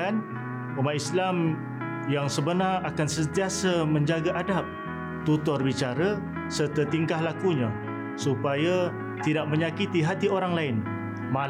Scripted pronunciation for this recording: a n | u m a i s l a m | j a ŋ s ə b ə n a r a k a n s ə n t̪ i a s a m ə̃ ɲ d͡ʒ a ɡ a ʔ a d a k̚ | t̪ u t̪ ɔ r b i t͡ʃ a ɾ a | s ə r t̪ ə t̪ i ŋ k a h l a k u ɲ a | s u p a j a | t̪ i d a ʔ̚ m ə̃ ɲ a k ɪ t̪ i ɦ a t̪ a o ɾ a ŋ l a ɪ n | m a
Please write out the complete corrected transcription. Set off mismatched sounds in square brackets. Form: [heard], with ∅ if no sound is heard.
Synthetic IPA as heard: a n | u m a i s l a m | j a ŋ s ə b ə n a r a k a n s ə n t̪ i a s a m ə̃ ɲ d͡ʒ a ɡ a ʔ a d a [p̚] | t̪ u t̪ ɔ r b i t͡ʃ a ɾ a | s ə r t̪ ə t̪ i ŋ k a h l a k u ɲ a | s u p a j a | t̪ i d a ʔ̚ m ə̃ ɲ a k [i] t̪ i ɦ a t̪ [i] o ɾ a ŋ l a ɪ n | m a